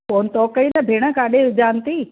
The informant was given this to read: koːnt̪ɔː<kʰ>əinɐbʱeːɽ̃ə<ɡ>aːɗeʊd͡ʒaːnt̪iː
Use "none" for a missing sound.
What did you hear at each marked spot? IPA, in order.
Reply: k, k

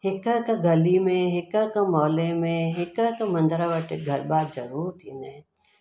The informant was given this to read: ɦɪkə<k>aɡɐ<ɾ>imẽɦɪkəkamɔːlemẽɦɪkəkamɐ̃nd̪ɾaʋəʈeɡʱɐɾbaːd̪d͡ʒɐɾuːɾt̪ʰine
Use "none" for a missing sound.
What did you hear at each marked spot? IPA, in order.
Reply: k, l

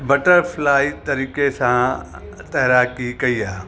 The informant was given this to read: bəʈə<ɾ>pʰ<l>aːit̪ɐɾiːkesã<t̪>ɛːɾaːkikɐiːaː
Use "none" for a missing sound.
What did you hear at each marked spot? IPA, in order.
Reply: ɾ, l, t̪

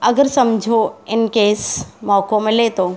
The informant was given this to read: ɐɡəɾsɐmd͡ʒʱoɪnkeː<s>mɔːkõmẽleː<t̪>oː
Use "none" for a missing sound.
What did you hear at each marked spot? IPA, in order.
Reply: s, t̪

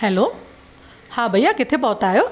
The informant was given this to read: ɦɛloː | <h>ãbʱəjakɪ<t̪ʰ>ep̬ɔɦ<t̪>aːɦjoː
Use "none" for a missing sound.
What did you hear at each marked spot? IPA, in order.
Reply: h, t̪ʰ, t̪

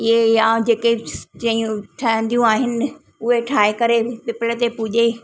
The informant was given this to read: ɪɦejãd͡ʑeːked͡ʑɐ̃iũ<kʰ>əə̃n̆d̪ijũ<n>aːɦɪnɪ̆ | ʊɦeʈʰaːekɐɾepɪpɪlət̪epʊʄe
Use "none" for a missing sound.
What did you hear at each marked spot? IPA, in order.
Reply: ʈʰ, none

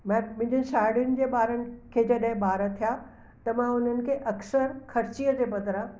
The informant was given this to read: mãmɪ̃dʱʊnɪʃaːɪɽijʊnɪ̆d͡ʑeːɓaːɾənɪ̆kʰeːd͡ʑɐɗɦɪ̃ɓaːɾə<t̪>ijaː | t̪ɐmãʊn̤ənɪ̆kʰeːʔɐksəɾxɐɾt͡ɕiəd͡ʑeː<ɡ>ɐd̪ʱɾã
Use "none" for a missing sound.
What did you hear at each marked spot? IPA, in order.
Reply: t̪ʰ, b

